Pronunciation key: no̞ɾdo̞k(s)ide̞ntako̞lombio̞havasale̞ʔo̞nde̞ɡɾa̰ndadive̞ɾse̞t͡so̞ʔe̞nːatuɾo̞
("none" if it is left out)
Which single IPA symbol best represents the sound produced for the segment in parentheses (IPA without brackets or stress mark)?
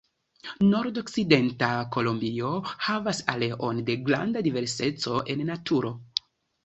s